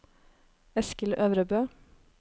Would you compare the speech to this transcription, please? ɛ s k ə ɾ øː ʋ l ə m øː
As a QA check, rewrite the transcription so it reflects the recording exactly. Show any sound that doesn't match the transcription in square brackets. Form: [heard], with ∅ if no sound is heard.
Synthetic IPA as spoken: ɛ s k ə [l] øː ʋ [ɾ] ə [b] øː